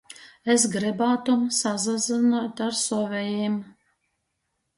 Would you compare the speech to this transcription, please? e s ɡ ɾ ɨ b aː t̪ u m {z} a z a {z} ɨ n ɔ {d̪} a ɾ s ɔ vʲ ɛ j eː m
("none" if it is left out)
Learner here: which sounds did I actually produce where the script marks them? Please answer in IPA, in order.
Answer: s, z, t̪

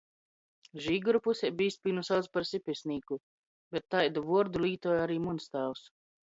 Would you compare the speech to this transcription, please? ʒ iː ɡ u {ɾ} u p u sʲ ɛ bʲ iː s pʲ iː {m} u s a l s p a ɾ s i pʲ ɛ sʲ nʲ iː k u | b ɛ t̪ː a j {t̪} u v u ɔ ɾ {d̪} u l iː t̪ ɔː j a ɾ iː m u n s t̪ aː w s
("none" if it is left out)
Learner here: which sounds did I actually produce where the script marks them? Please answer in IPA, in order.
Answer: ɾ, n, d̪, d̪

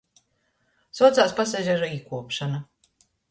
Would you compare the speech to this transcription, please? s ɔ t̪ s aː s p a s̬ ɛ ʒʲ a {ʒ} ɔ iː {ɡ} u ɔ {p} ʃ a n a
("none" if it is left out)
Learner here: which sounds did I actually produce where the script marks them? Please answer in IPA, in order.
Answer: ʒ, k, p

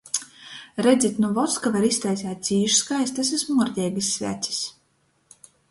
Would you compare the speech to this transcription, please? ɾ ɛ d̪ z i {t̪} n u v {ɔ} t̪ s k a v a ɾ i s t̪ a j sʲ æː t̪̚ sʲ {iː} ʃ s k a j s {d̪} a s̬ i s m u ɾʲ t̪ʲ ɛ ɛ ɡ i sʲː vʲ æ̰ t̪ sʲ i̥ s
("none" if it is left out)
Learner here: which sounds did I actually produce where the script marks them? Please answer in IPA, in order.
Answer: t̪, ɔ, iː, t̪

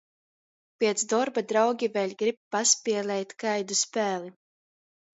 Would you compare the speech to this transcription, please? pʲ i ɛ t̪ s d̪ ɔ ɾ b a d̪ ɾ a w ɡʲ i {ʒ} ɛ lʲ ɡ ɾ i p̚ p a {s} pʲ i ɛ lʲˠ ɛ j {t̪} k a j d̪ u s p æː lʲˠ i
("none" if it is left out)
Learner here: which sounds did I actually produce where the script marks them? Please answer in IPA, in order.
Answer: v, s, t̪

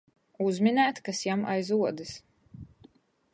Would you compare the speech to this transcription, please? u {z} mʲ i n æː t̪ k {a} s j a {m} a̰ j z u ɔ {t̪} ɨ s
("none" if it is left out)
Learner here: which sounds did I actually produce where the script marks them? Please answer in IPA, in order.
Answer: z, a, m, d̪

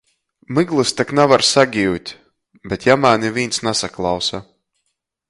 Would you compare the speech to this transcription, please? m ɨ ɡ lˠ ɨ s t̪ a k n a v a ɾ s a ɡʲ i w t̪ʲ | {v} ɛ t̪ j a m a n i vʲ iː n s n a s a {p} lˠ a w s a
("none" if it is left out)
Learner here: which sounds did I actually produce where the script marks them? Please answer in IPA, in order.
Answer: b, k

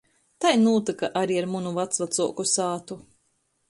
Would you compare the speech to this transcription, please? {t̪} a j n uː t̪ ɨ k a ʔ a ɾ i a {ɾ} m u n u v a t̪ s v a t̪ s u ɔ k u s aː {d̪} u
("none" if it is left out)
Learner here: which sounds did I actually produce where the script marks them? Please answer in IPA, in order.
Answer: t̪, ɾ, t̪

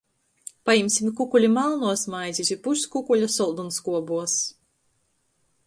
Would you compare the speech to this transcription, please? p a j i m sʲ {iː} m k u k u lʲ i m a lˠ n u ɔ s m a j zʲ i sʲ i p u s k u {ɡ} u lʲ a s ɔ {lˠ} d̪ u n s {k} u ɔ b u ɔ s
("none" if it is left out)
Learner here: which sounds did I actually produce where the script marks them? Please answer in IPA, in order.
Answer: i, k, lˠ, k

